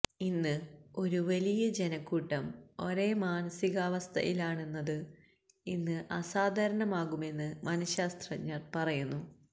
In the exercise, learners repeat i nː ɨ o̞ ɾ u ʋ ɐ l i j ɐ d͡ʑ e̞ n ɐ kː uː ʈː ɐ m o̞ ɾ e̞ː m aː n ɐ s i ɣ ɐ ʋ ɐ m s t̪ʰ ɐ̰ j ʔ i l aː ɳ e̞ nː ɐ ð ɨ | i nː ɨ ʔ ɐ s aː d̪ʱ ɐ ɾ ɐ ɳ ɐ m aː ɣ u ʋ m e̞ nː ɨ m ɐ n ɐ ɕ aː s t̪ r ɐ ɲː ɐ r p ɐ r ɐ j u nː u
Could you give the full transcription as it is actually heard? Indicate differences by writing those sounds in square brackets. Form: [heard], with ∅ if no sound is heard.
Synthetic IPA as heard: i nː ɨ o̞ ɾ u ʋ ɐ l i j ɐ d͡ʑ e̞ n ɐ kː uː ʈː ɐ m o̞ ɾ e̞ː m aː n ɐ s i ɣ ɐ ʋ ɐ [∅] s t̪ʰ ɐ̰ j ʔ i l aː ɳ e̞ nː ɐ ð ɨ | i nː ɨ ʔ ɐ s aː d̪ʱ ɐ ɾ ɐ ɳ ɐ m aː ɣ u [∅] m e̞ nː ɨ m ɐ n ɐ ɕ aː s t̪ r ɐ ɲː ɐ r p ɐ r ɐ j u nː u